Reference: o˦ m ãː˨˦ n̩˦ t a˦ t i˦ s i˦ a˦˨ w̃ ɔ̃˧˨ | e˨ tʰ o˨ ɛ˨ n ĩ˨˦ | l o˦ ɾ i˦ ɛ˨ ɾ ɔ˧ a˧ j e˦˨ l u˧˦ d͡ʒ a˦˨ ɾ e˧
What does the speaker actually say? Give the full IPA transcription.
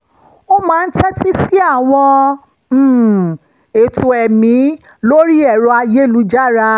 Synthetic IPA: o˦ m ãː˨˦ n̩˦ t ɛ˦ t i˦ s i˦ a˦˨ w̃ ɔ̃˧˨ | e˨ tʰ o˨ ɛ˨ m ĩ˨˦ | l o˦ ɾ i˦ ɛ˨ ɾ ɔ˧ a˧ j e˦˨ l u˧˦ d͡ʒ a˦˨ ɾ a˧